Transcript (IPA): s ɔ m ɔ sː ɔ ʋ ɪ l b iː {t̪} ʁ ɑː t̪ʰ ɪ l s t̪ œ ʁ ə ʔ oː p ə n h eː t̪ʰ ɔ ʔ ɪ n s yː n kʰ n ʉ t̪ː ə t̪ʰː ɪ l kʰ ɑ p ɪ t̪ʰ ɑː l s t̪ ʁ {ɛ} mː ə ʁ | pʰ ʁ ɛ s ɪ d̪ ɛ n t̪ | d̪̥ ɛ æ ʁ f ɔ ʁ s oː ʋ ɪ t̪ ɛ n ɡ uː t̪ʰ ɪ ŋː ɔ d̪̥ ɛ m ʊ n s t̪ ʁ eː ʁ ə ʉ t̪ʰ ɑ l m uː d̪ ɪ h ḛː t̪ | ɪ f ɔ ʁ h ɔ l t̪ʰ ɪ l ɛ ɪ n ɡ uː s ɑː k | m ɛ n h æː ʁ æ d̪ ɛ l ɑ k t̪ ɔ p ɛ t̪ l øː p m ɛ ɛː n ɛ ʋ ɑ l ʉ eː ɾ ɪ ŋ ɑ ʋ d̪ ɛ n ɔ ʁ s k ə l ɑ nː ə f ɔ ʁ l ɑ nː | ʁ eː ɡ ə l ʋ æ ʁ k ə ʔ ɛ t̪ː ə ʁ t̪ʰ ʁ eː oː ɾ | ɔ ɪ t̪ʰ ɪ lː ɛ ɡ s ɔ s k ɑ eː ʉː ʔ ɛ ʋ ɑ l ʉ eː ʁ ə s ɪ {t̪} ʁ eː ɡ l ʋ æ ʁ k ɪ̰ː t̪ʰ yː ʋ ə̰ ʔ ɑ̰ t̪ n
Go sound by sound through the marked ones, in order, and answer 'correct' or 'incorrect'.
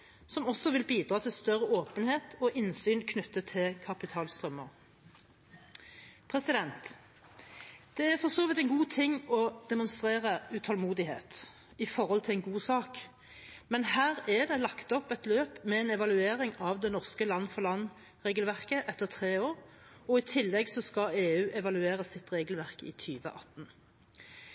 incorrect, incorrect, correct

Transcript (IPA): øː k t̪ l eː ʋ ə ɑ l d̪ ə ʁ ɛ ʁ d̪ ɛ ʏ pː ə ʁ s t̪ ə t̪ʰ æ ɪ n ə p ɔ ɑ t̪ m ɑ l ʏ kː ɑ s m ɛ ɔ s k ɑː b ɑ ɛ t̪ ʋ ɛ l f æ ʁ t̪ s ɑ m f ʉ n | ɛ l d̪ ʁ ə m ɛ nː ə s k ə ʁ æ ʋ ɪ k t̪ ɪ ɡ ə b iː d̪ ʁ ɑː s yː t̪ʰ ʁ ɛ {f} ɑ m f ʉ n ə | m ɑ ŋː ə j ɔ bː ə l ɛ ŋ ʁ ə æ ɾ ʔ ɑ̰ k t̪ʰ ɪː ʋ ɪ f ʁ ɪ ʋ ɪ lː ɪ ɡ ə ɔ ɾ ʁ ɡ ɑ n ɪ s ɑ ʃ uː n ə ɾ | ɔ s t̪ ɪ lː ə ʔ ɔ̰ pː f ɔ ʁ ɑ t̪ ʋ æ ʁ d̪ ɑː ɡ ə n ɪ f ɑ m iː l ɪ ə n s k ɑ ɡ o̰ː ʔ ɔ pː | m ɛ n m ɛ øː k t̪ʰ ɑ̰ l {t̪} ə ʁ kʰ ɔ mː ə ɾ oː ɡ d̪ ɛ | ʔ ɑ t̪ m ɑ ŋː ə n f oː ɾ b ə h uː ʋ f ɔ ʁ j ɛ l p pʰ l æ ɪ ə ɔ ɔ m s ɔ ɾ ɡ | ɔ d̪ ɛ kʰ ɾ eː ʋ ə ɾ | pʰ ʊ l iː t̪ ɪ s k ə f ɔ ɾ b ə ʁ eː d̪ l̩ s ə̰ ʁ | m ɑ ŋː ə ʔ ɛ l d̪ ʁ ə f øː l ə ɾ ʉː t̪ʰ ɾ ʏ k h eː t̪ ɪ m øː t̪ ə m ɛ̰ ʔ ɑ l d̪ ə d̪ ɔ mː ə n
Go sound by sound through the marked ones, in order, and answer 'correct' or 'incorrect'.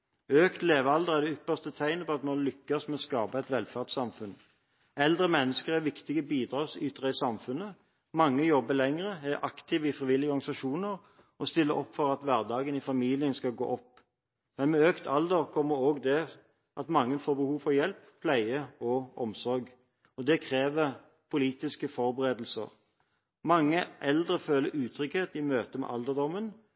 incorrect, incorrect

